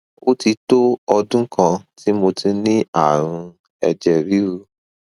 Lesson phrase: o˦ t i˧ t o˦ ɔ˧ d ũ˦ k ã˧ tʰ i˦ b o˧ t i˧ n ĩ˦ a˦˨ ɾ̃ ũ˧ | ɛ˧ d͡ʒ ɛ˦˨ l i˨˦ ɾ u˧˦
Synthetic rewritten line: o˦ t i˧ t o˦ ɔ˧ d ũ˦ k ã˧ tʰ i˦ m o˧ t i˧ n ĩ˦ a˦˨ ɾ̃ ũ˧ | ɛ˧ d͡ʒ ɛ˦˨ ɾ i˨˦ ɾ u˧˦